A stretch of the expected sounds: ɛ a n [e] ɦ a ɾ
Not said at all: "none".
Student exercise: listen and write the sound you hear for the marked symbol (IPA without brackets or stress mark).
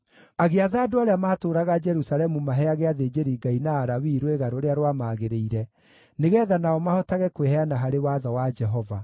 a